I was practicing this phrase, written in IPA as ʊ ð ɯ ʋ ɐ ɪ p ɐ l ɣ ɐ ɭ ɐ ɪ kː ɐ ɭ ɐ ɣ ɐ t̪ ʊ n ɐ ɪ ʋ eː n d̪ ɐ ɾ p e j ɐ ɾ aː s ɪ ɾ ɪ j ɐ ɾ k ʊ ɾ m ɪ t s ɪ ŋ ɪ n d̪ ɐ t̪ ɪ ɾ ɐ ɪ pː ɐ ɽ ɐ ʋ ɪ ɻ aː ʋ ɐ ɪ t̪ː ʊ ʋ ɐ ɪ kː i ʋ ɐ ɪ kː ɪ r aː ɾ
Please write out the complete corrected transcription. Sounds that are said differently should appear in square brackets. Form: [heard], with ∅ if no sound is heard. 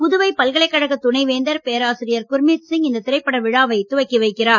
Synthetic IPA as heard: ʊ ð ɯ ʋ ɐ ɪ p ɐ l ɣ ɐ ɭ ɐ ɪ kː ɐ [ɽ] ɐ ɣ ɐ t̪ ʊ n ɐ ɪ ʋ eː n d̪ ɐ ɾ p e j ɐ ɾ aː s ɪ ɾ ɪ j ɐ ɾ k ʊ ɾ m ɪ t s ɪ ŋ ɪ n d̪ ɐ t̪ ɪ ɾ ɐ ɪ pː ɐ ɽ ɐ ʋ ɪ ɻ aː ʋ ɐ ɪ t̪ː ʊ ʋ ɐ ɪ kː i ʋ ɐ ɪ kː ɪ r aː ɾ